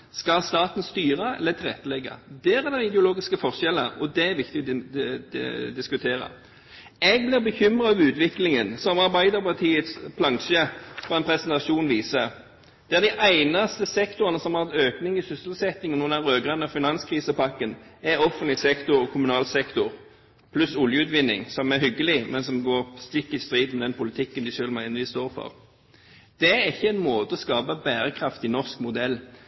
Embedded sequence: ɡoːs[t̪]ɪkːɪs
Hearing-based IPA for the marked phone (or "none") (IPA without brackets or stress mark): t̪